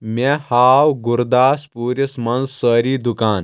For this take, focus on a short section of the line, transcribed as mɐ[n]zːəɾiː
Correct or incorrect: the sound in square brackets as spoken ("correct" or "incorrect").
correct